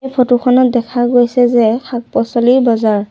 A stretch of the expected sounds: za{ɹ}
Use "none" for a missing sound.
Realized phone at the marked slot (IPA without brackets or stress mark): ɹ